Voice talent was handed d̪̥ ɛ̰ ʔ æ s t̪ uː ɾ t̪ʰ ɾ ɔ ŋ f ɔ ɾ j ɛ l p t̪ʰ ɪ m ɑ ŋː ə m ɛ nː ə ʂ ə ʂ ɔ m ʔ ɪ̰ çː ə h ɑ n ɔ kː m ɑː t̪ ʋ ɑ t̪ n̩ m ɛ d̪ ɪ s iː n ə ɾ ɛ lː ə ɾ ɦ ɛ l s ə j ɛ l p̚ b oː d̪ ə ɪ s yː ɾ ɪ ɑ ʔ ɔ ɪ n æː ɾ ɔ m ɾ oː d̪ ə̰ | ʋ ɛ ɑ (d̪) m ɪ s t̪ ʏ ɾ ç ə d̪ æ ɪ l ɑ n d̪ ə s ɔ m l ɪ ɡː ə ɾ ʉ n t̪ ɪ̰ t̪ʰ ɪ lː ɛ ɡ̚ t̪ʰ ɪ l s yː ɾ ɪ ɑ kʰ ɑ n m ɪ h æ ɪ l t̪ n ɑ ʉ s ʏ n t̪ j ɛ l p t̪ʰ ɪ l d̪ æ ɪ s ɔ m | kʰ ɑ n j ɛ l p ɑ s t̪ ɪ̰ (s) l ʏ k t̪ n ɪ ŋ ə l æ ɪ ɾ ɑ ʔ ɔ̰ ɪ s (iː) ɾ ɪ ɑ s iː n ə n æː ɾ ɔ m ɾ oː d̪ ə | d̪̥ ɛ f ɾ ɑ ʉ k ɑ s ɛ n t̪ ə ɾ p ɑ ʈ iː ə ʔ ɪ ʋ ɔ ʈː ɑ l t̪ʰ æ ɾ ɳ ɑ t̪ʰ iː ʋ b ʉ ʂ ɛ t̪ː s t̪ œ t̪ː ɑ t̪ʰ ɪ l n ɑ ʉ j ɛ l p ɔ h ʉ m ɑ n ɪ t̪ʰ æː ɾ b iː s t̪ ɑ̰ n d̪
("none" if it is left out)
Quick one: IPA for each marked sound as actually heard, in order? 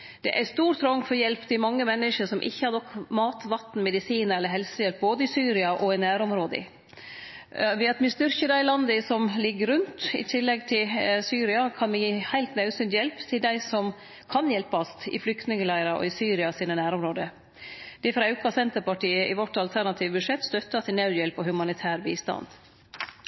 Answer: t̪, f, yː

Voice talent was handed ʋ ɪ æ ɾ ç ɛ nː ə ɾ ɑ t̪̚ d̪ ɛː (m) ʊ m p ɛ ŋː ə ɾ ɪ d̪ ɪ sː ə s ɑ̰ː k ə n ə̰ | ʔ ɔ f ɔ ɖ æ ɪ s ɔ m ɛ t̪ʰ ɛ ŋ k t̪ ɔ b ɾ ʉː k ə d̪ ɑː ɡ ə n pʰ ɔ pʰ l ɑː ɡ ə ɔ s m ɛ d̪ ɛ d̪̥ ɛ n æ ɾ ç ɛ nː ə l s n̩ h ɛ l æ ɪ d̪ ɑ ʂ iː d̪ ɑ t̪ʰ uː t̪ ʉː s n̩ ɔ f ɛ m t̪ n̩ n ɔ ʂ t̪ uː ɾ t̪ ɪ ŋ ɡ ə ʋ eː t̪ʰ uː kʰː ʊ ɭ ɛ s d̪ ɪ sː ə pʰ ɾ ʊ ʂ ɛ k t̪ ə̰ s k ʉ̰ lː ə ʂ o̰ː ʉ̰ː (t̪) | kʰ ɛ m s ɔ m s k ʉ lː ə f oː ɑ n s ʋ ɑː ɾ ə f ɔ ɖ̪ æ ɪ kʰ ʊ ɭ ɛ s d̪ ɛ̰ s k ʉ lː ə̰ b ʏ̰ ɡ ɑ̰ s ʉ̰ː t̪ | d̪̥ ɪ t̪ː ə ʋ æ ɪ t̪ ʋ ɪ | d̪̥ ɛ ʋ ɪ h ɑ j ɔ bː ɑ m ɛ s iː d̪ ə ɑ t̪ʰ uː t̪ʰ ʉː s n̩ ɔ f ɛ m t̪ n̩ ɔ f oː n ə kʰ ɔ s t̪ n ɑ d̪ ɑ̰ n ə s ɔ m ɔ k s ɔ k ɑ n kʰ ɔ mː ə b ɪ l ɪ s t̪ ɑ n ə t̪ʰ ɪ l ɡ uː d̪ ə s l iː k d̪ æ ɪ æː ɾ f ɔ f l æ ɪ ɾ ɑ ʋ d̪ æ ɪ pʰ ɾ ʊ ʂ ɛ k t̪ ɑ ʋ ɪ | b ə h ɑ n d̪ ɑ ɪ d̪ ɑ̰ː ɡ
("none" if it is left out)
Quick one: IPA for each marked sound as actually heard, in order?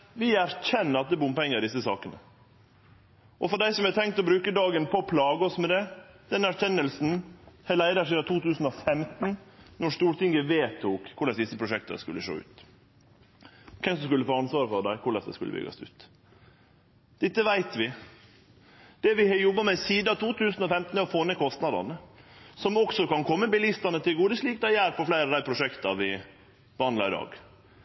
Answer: b, t̪

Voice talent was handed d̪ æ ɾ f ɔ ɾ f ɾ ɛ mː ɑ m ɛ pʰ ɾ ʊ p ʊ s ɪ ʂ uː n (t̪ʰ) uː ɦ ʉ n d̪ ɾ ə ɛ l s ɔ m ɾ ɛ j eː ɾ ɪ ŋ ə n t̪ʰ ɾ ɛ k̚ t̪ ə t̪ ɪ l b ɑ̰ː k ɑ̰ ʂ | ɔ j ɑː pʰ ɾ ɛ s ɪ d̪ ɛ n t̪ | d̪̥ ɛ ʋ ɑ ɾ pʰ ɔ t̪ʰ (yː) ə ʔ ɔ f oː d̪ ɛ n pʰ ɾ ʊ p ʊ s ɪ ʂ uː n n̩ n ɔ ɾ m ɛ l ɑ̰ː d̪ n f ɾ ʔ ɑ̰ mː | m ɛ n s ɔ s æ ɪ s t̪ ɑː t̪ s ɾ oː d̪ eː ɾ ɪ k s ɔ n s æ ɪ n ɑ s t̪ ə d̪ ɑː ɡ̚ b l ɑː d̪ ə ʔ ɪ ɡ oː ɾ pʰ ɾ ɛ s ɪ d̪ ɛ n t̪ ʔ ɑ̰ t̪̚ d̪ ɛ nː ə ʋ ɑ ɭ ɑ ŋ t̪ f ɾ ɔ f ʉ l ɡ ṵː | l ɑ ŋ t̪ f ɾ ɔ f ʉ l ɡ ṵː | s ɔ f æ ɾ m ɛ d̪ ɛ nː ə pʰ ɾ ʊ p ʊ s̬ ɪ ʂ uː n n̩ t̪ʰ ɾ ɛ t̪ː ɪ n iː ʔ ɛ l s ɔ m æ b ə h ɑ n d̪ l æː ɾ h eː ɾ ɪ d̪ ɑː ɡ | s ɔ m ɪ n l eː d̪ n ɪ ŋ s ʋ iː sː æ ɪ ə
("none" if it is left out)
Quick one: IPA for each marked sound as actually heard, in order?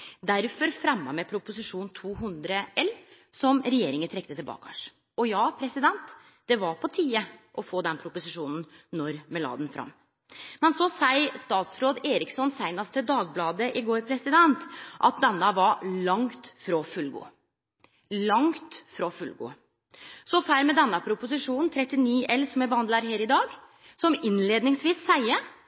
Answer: t̪ʰ, iː

